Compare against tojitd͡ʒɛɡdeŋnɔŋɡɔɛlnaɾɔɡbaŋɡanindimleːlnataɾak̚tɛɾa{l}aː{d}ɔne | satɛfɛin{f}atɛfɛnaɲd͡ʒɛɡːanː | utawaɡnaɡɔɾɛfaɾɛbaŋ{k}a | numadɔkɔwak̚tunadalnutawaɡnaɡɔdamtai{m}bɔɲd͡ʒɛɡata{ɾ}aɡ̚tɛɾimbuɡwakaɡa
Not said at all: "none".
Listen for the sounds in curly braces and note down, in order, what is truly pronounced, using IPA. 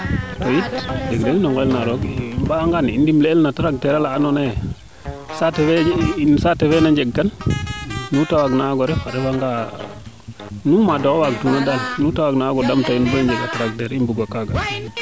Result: l, n, s, ɡ, n, ɾ

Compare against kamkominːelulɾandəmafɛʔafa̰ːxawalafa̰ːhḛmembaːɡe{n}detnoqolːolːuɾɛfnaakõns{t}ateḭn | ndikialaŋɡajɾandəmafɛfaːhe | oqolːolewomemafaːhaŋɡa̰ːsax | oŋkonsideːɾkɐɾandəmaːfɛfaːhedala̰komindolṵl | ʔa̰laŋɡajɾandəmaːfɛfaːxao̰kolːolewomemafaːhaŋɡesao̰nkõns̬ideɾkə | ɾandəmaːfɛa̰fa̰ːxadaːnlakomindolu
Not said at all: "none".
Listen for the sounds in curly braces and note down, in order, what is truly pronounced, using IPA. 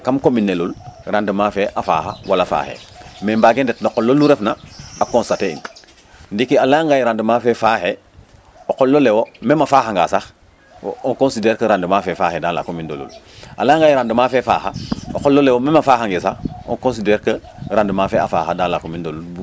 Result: n, t

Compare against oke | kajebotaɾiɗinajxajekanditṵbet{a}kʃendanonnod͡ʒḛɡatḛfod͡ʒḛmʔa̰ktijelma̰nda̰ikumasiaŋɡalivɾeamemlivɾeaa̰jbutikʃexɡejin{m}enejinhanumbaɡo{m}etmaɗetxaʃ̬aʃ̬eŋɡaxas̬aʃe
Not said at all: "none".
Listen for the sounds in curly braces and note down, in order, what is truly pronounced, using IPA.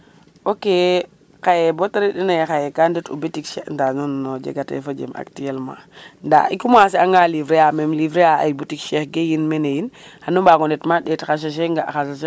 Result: i, m, n

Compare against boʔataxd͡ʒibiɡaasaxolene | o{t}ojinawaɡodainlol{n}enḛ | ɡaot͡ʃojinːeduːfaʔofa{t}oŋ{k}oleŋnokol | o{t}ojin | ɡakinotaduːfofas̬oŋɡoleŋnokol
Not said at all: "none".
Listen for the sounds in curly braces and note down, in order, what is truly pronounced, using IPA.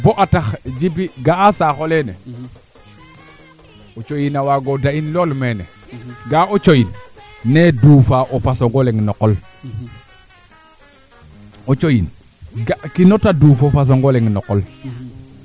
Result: t͡ʃ, m, s, ɡ, t͡ʃ

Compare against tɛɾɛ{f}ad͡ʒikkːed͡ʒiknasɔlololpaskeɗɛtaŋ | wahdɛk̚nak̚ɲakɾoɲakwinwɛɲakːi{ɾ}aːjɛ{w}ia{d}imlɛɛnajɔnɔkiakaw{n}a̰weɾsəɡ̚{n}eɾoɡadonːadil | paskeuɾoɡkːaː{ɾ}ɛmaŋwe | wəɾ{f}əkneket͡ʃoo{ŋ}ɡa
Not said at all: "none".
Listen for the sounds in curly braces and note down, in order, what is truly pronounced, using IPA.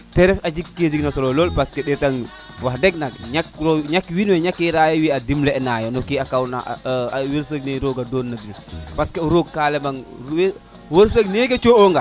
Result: f, ɾ, w, d, n, n, l, s, ŋ

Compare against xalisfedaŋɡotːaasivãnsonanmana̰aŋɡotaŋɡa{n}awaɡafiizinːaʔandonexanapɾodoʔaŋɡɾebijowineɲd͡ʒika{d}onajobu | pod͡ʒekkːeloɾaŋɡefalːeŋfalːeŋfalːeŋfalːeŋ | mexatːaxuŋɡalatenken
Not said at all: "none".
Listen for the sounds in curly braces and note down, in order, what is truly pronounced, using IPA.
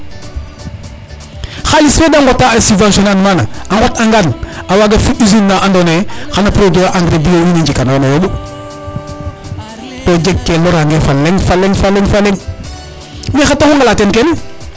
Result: n, n

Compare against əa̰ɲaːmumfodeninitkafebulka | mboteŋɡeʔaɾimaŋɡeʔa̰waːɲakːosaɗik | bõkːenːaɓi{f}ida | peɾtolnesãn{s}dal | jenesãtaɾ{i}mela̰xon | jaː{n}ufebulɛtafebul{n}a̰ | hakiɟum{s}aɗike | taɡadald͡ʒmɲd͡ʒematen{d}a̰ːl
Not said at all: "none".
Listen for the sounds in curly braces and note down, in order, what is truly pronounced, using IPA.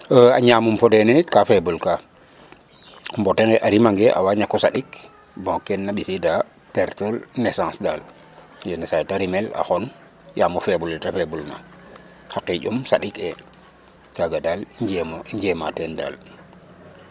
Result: s, s, i, m, n, s, d

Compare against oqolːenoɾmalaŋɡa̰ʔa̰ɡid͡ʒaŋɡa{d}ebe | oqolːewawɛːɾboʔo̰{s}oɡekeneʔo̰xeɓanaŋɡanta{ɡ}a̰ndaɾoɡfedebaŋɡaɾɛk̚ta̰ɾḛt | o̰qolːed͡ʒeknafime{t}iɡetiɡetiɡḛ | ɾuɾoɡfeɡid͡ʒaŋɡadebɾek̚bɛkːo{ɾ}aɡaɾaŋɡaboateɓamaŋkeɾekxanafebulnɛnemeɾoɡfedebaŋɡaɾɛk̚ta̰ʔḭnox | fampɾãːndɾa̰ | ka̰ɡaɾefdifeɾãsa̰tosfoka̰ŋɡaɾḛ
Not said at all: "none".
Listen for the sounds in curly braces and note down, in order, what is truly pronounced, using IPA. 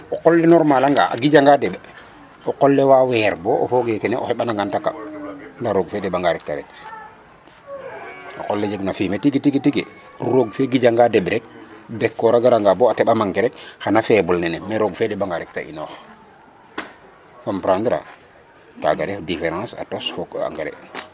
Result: d, f, k, t, ɾ

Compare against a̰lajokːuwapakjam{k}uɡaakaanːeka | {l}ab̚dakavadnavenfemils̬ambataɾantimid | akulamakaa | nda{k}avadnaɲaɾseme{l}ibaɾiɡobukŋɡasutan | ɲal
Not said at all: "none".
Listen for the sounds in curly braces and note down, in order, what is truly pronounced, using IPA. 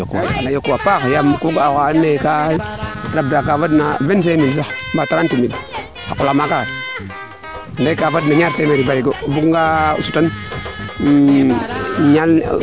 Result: k, ɾ, k, ɾ

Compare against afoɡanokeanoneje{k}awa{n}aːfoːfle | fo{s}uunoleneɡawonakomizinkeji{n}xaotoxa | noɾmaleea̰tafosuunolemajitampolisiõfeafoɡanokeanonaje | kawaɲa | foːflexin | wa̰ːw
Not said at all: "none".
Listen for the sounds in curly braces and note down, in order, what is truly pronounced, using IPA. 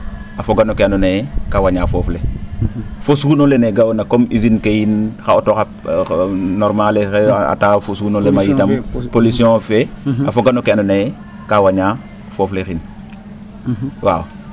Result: k, ɲ, s, n

